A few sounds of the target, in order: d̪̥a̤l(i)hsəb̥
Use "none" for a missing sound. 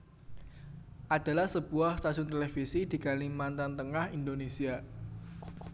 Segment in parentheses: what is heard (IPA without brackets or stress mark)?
a